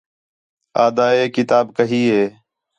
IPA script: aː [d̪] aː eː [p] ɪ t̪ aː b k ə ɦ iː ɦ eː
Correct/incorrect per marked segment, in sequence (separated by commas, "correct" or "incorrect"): correct, incorrect